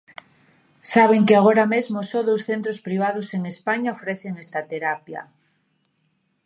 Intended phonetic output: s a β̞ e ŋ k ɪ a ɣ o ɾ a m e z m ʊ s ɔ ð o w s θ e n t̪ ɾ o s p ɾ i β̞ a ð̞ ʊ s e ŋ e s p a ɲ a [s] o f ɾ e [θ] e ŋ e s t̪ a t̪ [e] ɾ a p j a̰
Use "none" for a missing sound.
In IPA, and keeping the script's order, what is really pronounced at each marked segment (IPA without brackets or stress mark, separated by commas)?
none, θ, e